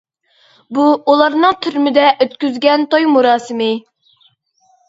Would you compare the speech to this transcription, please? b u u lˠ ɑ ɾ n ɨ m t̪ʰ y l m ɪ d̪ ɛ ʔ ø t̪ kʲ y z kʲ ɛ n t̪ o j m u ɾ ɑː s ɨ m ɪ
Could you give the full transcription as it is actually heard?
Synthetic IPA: b u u lˠ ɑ ɾ n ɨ ŋ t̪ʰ y ɾ m ɪ d̪ ɛ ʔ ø t̪ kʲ y z ɡʲ ɛ n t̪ o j m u ɾ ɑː s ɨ m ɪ